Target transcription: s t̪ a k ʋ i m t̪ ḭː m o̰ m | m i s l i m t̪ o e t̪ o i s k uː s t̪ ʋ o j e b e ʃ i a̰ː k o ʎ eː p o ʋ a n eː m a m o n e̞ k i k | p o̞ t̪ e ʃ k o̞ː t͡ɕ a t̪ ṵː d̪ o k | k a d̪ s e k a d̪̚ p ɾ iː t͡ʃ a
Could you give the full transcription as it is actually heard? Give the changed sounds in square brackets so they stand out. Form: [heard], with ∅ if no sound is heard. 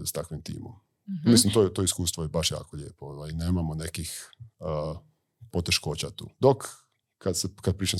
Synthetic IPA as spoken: s t̪ a k ʋ i m t̪ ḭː m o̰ m | m i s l i m t̪ o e t̪ o i s k uː s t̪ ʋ o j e b [a] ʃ [j] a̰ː k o ʎ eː p o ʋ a n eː m a m o n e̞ k i [x] | p o̞ t̪ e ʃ k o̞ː t͡ɕ a t̪ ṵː d̪ o k | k a d̪ s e k a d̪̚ p ɾ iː t͡ʃ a